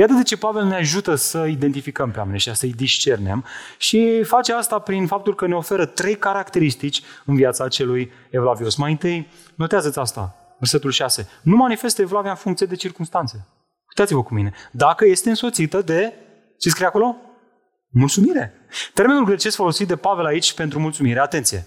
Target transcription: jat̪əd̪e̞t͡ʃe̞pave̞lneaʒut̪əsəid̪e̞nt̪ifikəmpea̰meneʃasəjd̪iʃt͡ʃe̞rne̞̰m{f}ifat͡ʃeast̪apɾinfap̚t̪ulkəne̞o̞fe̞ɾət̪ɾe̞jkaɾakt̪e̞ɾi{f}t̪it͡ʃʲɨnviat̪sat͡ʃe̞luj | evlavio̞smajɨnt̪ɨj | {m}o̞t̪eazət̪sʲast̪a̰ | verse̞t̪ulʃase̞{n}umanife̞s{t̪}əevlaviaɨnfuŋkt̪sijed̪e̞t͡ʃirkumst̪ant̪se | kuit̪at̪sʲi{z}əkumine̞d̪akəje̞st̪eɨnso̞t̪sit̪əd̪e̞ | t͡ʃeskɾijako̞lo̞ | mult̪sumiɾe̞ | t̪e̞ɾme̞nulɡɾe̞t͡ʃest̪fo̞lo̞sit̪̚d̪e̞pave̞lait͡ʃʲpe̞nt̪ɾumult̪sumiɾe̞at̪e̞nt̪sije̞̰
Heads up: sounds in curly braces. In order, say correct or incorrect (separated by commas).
incorrect, incorrect, incorrect, correct, correct, incorrect